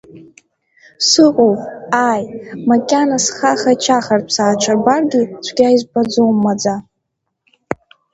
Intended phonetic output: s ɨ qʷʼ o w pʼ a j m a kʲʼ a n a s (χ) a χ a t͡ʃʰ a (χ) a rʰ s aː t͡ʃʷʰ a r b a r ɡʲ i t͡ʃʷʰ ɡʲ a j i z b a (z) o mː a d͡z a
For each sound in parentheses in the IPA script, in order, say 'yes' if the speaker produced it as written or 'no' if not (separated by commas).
yes, yes, no